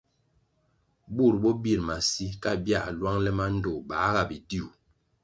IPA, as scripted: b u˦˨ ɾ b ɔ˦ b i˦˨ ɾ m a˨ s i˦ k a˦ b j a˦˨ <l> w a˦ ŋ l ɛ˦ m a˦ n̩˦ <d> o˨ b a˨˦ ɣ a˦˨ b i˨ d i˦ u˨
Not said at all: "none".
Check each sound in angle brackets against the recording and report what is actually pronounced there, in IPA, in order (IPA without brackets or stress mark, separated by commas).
l, d